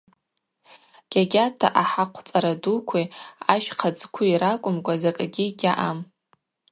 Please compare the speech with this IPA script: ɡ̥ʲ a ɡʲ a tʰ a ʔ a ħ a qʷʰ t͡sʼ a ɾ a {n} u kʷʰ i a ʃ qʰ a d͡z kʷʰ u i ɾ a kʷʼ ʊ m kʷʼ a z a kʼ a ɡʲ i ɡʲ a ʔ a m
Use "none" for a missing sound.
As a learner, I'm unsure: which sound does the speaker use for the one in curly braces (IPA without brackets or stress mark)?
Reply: d